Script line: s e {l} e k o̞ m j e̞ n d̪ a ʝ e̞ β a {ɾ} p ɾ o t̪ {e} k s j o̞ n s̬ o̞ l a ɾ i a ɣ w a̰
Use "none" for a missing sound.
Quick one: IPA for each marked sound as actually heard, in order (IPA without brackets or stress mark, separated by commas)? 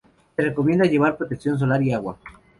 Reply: r, ɾ, e